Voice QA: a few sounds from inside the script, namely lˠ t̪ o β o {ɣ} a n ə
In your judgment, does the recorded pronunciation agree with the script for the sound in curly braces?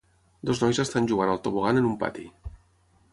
yes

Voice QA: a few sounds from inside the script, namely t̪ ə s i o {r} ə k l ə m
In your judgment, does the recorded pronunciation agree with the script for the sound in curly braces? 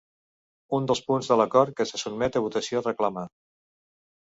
yes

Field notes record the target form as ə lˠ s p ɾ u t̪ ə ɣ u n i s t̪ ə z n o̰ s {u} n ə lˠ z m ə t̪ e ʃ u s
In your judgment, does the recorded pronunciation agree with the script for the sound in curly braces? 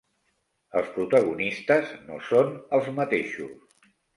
no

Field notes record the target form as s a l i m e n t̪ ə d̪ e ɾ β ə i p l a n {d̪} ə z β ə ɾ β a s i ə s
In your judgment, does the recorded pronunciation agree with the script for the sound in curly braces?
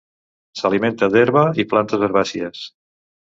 no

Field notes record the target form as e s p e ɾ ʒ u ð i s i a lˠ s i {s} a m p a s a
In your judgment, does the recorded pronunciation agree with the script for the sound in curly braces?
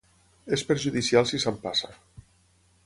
yes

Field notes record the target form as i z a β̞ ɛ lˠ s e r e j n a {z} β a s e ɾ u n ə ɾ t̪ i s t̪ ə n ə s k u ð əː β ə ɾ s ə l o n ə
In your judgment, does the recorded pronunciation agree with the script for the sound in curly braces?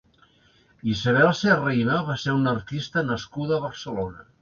no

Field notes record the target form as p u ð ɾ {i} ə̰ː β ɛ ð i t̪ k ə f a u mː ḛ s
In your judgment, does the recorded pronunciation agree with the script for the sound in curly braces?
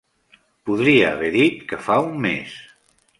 yes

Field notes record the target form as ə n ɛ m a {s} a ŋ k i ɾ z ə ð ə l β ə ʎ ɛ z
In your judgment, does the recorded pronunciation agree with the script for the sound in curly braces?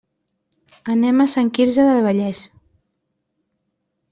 yes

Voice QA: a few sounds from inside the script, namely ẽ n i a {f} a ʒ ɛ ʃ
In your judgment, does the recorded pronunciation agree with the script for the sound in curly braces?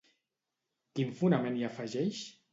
yes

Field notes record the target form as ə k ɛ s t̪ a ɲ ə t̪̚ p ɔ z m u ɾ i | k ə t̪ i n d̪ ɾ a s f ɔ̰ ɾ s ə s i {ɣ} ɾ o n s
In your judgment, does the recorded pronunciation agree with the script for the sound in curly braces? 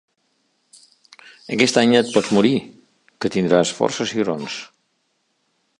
yes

